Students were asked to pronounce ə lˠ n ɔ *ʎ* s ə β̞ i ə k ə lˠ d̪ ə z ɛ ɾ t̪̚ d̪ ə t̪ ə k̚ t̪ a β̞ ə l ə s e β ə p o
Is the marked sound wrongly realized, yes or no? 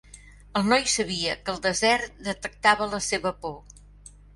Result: yes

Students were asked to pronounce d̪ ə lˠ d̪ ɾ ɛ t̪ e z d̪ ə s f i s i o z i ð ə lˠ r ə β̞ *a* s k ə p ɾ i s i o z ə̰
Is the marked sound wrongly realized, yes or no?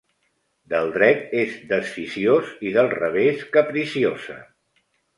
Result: yes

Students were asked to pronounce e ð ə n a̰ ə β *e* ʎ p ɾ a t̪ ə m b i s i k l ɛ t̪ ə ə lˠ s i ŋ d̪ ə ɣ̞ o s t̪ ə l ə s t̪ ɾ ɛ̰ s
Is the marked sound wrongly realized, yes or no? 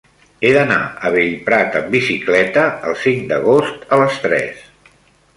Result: no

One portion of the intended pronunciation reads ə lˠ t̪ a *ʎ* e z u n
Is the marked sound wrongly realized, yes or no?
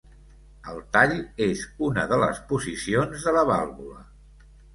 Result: no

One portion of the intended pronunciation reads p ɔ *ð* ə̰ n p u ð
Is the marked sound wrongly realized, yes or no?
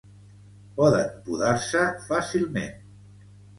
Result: no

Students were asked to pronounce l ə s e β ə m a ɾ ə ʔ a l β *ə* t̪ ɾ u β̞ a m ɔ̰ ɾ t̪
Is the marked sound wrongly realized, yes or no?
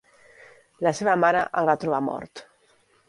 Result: yes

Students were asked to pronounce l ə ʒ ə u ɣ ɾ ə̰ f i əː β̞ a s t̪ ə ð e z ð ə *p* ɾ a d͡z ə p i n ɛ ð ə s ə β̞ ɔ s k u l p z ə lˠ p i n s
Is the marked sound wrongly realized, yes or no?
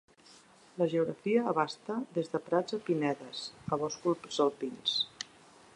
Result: no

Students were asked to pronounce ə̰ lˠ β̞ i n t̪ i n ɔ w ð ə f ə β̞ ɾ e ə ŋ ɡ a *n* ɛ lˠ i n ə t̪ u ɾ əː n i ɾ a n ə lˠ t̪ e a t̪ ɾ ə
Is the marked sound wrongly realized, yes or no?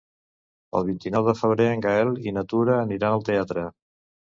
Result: yes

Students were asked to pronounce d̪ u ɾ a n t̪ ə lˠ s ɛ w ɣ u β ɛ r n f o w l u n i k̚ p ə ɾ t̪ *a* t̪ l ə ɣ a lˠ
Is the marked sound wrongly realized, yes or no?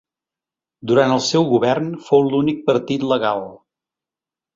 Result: yes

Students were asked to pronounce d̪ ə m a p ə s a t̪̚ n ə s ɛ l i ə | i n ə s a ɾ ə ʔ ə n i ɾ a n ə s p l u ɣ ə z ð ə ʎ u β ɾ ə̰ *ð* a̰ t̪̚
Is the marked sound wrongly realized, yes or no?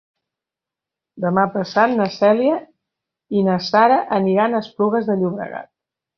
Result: yes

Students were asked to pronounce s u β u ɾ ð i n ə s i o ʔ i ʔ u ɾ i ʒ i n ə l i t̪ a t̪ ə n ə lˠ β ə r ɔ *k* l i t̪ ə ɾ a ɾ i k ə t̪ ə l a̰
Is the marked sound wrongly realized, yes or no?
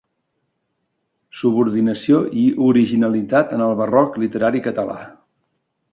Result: no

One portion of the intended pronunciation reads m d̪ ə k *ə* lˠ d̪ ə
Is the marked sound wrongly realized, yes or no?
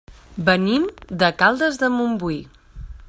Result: yes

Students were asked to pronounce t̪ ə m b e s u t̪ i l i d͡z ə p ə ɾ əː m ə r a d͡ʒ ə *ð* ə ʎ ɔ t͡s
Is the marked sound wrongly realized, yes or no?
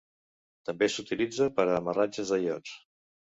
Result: yes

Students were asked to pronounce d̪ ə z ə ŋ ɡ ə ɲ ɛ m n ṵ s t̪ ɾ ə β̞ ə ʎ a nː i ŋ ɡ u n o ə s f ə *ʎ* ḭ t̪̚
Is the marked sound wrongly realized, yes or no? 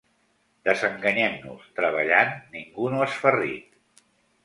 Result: yes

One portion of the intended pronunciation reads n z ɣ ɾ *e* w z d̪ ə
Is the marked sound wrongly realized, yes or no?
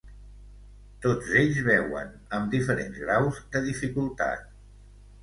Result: yes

